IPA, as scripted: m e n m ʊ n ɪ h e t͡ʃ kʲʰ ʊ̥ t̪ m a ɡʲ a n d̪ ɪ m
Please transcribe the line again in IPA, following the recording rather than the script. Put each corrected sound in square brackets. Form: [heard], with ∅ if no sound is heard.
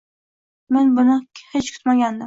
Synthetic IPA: m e n [b] ʊ n ɪ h e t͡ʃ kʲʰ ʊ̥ t̪ m a ɡʲ a n d̪ ɪ m